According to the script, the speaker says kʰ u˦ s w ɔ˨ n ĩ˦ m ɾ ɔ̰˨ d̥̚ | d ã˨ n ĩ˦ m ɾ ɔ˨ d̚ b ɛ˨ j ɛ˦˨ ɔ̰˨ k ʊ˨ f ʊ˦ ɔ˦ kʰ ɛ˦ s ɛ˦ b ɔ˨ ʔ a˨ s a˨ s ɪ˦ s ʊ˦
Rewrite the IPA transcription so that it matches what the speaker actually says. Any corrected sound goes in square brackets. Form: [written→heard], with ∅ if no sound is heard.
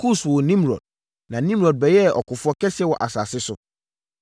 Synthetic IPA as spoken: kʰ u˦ s w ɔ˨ n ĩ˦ m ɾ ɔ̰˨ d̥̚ | [d→n] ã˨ n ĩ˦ m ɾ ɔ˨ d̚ b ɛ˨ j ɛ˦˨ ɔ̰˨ k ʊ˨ f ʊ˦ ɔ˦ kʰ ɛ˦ s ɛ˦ [b→w] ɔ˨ ʔ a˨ s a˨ s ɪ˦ s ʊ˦

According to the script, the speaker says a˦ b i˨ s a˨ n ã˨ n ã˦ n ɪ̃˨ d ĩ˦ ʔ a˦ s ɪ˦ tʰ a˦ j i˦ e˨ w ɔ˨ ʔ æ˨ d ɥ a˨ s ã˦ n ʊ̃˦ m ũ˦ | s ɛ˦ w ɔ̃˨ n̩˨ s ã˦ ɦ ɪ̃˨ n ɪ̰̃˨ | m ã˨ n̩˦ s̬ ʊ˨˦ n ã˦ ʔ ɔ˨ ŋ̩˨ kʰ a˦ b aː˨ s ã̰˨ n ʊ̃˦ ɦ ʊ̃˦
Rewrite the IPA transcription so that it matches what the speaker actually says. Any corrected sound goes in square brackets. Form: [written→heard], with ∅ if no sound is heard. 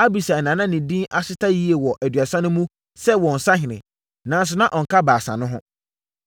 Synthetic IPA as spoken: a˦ b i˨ s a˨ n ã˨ n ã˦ n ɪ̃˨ d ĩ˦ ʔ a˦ s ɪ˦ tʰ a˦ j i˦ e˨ w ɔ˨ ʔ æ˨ d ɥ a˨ s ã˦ n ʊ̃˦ m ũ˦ | s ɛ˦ w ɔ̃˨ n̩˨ s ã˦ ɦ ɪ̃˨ n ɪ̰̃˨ | [m→n] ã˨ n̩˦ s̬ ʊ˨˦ n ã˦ ʔ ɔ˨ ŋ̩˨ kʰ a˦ b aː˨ s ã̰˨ n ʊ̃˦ ɦ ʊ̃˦

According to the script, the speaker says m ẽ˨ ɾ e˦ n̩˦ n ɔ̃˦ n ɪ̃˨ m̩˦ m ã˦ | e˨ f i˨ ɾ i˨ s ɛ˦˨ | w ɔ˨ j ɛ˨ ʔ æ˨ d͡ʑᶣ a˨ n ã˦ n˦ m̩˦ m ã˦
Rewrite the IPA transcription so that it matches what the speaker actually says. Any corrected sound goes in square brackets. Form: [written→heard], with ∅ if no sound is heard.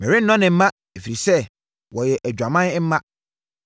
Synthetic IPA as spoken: m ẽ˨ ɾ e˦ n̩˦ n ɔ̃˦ n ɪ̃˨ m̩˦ m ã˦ | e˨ f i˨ ɾ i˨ s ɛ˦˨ | w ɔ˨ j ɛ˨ ʔ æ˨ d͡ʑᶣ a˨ [n→m] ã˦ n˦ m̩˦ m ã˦

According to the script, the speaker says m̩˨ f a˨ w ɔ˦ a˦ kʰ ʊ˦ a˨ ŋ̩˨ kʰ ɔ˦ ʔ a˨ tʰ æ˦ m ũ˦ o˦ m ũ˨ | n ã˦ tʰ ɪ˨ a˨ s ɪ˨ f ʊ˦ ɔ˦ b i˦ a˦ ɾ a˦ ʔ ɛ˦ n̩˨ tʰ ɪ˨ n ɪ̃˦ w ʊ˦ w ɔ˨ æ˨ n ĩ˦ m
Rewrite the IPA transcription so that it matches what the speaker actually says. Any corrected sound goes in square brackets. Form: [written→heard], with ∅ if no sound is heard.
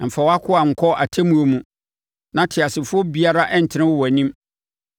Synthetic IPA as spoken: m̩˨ f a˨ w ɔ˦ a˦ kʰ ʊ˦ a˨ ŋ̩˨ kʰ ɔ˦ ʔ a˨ tʰ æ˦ m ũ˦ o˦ m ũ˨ | n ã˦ tʰ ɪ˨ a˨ s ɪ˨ f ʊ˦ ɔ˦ b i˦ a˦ ɾ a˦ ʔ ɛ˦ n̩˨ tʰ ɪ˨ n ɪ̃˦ w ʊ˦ w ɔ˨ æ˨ n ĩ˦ m

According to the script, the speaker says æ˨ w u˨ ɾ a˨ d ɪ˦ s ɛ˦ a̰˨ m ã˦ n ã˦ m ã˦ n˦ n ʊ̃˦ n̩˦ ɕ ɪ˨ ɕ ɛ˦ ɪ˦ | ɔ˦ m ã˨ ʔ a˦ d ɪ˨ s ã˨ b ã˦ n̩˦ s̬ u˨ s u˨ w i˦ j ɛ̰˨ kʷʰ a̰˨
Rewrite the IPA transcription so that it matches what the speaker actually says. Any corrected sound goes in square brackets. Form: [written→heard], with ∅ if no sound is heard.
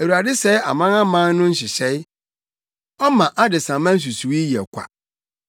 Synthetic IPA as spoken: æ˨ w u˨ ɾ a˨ d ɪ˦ s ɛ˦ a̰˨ m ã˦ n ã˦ m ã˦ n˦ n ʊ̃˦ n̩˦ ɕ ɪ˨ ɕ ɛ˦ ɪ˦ | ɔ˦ m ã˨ ʔ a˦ d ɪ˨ s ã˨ [b→m] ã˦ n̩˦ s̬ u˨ s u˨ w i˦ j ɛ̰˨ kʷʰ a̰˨

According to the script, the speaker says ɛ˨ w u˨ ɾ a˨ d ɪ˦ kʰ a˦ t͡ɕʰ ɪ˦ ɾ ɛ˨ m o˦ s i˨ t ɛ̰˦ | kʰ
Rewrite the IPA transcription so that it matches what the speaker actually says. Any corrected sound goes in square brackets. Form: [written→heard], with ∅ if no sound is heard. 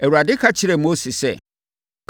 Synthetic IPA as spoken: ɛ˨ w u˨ ɾ a˨ d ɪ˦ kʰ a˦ t͡ɕʰ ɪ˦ ɾ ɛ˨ m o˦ s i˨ [t→s] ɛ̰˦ | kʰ

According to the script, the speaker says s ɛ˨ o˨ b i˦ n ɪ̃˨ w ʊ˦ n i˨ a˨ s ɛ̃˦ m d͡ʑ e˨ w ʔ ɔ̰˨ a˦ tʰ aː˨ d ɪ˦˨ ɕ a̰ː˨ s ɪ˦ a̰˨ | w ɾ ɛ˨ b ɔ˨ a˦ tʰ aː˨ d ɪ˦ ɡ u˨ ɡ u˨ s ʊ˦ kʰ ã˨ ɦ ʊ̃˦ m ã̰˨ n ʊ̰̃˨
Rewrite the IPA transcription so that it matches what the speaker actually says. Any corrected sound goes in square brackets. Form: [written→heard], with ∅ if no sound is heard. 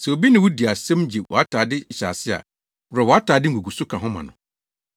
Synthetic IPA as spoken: s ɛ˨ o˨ b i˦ n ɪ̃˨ w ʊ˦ [n→d] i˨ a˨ s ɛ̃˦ m d͡ʑ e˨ w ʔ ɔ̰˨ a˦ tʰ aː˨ d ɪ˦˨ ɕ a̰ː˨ s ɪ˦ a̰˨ | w ɾ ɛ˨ [b→w] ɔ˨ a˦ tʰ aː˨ d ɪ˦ ɡ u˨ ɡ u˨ s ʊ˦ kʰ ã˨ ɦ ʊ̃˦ m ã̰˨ n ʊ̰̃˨

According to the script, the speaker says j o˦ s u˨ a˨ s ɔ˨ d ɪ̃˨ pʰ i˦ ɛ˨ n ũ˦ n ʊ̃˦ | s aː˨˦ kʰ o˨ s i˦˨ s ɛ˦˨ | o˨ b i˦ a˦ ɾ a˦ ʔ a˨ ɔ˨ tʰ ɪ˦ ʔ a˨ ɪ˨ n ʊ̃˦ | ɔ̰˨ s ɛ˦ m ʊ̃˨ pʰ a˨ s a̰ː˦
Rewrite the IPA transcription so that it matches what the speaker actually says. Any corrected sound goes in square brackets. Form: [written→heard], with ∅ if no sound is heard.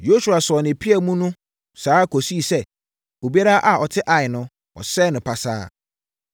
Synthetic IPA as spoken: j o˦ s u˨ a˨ s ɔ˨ [d→n] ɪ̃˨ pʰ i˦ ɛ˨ [n→m] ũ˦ n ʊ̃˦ | s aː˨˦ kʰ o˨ s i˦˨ s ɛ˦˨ | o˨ b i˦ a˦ ɾ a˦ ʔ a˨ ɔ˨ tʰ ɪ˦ ʔ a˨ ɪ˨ n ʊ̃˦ | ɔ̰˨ s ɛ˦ [m→n] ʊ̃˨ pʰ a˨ s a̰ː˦

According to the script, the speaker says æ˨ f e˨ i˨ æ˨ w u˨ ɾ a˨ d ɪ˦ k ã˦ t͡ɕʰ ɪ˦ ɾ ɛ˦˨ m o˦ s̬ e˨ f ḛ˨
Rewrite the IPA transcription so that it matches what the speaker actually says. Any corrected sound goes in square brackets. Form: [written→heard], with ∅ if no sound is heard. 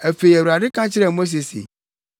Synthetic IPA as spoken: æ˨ f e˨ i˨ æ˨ w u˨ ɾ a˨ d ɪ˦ k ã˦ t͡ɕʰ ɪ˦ ɾ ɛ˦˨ m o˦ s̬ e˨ [f→s] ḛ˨

